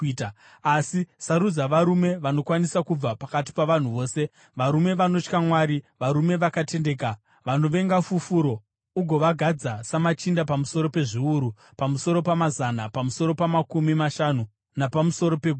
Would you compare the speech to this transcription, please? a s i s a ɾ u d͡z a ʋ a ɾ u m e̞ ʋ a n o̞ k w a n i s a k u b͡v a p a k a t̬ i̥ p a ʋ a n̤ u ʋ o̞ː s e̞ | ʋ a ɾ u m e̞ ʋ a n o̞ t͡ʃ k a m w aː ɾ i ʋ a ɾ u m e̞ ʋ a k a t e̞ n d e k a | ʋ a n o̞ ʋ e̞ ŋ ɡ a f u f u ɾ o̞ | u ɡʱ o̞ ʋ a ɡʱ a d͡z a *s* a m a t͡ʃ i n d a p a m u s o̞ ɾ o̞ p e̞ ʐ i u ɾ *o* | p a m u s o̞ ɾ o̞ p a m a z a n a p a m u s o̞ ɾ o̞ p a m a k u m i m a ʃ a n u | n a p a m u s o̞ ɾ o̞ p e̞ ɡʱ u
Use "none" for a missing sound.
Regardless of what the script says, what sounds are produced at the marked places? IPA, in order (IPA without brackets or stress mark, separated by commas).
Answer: s, u